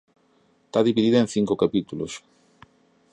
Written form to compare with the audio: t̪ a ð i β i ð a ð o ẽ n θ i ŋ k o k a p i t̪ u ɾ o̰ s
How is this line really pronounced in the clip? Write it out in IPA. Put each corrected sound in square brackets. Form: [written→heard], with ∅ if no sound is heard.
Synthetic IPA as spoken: t̪ a ð i β i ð [a→i] ð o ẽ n θ i ŋ k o k a p i t̪ u [ɾ→l] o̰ s